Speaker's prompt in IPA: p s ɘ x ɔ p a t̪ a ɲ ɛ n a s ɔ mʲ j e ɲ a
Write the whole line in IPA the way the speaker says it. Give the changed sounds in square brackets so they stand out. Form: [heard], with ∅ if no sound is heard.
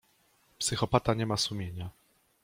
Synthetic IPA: p s ɘ x ɔ p a t̪ a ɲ ɛ [m] a s [u] mʲ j e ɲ a

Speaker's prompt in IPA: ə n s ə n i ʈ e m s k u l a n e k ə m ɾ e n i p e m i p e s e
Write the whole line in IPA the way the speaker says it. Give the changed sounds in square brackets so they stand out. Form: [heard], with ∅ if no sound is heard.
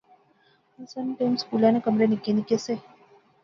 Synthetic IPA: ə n s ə n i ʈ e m s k u l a n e k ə m ɾ e n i [k] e [n] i [k] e s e

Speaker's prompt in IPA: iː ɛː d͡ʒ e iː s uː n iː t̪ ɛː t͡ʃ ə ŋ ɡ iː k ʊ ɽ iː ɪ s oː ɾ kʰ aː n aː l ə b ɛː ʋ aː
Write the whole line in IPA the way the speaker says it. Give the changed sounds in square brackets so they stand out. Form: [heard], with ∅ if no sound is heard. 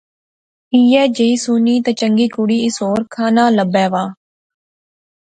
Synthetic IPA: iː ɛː d͡ʒ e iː s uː n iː t̪ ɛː t͡ʃ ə ŋ ɡ iː k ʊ ɽ iː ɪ s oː ɾ kʰ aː n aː l ə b ɛː ʋ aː

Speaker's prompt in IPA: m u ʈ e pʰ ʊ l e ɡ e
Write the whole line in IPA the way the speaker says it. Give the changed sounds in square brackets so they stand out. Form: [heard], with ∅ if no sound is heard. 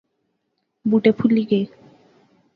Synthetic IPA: [b] u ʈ e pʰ [u] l [i] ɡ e

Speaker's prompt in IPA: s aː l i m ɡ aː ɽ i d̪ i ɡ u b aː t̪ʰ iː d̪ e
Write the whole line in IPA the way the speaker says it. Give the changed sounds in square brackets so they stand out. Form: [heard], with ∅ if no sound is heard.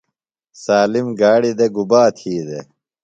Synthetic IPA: s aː l i m ɡ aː ɽ i d̪ [e] ɡ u b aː t̪ʰ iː d̪ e

